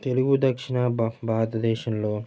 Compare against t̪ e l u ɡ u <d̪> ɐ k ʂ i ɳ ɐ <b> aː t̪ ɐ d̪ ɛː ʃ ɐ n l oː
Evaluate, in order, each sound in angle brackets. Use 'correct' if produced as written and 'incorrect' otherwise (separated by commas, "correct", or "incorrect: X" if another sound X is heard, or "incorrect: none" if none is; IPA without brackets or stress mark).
correct, correct